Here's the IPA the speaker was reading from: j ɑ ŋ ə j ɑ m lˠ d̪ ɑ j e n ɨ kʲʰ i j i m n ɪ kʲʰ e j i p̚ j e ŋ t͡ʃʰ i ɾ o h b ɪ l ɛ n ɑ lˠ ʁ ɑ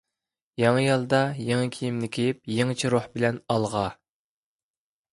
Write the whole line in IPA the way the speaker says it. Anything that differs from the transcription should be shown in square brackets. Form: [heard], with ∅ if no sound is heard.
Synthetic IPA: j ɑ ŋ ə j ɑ [∅] lˠ d̪ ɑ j e [ŋ] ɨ kʲʰ i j i m n ɪ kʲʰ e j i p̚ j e ŋ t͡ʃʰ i ɾ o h b ɪ l ɛ n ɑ lˠ ʁ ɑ